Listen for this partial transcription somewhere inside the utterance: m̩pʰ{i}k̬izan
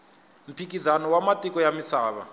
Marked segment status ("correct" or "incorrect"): correct